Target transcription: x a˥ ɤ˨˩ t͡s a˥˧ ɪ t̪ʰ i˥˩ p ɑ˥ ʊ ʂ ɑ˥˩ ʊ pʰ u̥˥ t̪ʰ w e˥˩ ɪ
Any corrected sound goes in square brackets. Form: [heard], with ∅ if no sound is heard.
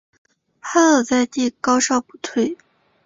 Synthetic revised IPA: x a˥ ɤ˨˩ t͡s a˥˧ ɪ [t̪] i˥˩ [k] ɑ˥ ʊ ʂ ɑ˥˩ ʊ [p] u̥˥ t̪ʰ w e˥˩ ɪ